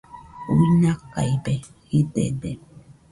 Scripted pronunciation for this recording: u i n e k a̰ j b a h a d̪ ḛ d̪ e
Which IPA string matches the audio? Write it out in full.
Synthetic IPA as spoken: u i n a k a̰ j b e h i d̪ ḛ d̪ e

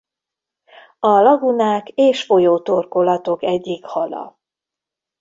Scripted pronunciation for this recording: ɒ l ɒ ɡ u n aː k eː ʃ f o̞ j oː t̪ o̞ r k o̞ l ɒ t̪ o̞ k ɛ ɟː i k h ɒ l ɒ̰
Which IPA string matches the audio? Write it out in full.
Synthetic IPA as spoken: ɒ l ɒ ɡ u n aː k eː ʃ f o̞ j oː t̪ o̞ r k o̞ l ɒ t̪ o̞ k ɛ ɟː i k h ɒ l ɒ̰

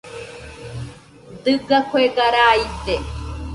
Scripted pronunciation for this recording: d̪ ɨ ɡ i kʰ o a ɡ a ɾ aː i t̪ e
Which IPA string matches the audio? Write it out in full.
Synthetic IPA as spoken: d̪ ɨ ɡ a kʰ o e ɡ a ɾ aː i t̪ e

